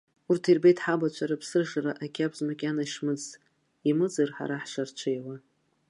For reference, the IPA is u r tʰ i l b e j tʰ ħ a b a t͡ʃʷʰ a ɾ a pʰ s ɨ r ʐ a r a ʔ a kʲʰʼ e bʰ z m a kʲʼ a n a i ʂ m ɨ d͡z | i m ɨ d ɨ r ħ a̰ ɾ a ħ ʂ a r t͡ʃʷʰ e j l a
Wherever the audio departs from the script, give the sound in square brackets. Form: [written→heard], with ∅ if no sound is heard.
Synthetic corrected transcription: u r tʰ i [l→r] b e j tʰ ħ a b a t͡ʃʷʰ a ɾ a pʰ s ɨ r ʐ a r a ʔ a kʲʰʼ [e→a] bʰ z m a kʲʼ a n a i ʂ m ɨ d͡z | i m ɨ [d→d͡z] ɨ r ħ a̰ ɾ a ħ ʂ a r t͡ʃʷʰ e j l a

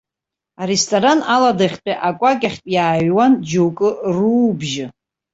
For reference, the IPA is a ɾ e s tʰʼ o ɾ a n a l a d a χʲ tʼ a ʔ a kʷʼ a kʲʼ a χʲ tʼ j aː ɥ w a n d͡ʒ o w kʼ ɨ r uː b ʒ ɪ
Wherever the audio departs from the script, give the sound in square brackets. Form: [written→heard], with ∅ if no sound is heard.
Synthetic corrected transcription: a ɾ e s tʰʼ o ɾ a n a l a d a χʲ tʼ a ʔ a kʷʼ a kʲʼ a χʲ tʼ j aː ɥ w a n d͡ʒ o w kʼ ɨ r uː b ʒ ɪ

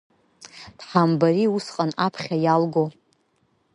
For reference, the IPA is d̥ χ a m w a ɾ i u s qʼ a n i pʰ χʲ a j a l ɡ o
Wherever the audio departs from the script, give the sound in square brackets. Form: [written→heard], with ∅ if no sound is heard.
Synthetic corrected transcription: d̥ [χ→ħ] a m [w→b] a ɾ i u s qʼ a n [i→a] pʰ χʲ a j a l ɡ o

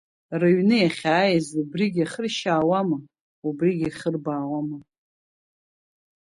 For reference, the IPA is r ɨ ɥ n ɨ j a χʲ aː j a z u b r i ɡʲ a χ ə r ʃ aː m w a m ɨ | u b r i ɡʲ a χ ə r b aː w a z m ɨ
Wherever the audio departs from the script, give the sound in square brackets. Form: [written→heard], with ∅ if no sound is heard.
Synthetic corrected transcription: r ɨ ɥ n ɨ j a χʲ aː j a z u b r i ɡʲ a χ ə r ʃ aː [m→∅] w a m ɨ | u b r i ɡʲ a χ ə r b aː w a [z→∅] m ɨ

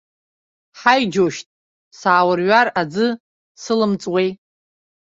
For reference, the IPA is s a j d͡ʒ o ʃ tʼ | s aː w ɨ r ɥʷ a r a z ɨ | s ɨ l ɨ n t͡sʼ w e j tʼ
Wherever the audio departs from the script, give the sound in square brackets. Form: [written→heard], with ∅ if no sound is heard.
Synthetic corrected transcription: [s→ħ] a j d͡ʒ o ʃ tʼ | s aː w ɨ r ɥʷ a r a [z→d͡z] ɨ | s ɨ l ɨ [n→m] t͡sʼ w e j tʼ

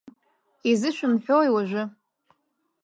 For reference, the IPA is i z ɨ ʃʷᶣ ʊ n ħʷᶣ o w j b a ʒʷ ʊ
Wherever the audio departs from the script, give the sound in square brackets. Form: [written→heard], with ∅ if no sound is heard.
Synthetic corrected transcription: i z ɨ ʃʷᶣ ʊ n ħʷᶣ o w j [b→w] a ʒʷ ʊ

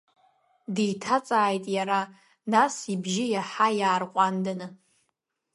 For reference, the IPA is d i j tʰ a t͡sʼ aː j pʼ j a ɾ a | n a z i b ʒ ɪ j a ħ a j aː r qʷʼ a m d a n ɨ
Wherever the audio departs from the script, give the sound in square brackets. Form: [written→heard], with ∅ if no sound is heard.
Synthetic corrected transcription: d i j tʰ a t͡sʼ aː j [pʼ→tʼ] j a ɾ a | n a [z→s] i b ʒ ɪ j a ħ a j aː r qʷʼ a [m→n] d a n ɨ

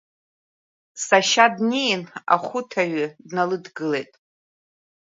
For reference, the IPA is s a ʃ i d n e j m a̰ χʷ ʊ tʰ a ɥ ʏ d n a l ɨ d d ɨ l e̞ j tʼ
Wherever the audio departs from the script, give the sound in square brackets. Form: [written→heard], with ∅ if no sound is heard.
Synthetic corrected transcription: s a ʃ [i→a] d n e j [m→n] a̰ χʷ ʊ tʰ a ɥ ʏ d n a l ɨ d [d→ɡ] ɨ l e̞ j tʼ

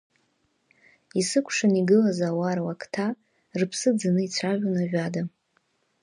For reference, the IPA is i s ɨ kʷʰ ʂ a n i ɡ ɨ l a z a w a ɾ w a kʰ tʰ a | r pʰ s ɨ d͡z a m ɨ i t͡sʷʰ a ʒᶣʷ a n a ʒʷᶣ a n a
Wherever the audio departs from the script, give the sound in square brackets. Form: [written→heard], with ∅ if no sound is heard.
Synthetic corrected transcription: i s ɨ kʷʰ ʂ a n i ɡ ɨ l a z a w a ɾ w a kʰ tʰ a | r pʰ s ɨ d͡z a [m→n] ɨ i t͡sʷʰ a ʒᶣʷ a n a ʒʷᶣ a [n→d] a

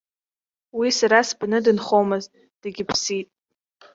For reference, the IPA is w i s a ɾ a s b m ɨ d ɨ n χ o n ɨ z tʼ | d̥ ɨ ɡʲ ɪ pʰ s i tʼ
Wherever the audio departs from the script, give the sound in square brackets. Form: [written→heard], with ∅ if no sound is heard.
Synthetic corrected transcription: w i s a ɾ a s b [m→n] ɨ d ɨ n χ o [n→m] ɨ z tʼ | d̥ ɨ ɡʲ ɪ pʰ s i tʼ

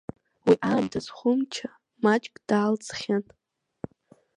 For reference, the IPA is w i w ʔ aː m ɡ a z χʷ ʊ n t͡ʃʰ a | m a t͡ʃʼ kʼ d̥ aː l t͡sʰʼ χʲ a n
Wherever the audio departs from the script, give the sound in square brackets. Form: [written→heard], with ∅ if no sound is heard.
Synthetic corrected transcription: w i [w→∅] ʔ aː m [ɡ→d] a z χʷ ʊ [n→m] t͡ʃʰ a | m a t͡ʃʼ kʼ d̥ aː l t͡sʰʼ χʲ a n

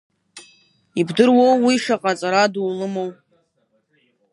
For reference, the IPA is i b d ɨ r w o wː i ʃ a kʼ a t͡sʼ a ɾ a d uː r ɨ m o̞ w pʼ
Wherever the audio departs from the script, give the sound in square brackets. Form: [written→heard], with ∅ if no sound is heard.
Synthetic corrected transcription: i b d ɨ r w o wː i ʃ a [kʼ→qʼ] a t͡sʼ a ɾ a d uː [r→l] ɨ m o̞ w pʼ

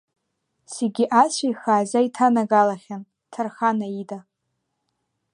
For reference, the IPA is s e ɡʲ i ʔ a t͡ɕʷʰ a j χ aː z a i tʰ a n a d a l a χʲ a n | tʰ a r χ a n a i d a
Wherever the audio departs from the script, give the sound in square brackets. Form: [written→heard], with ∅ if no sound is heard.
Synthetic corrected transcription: s e ɡʲ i ʔ a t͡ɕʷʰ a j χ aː z a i tʰ a n a [d→ɡ] a l a χʲ a n | tʰ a r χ a n a i d a

